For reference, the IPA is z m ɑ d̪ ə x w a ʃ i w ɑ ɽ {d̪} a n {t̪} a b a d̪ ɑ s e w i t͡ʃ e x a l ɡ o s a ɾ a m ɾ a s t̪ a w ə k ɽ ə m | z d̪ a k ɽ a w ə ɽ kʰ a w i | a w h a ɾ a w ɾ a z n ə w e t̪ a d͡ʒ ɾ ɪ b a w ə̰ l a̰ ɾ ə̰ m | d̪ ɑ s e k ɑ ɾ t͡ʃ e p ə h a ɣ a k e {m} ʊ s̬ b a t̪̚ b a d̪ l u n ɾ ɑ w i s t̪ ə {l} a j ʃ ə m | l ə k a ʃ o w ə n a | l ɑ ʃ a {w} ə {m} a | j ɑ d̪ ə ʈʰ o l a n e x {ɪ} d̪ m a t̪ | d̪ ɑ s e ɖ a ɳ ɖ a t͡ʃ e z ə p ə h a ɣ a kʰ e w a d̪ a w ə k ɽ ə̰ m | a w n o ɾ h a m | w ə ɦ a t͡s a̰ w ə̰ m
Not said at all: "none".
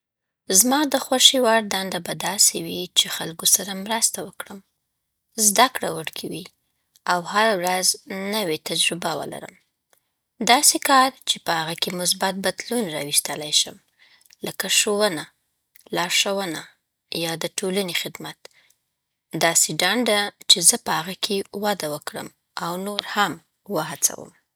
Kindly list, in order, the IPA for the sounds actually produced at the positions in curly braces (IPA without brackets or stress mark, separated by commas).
d̪, d̪, m, l, w, n, ɪ